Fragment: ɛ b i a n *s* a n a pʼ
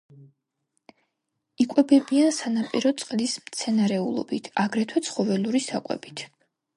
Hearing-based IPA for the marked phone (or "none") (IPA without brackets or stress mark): s